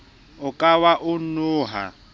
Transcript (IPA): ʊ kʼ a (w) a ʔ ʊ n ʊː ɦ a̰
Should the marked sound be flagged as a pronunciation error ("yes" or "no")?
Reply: no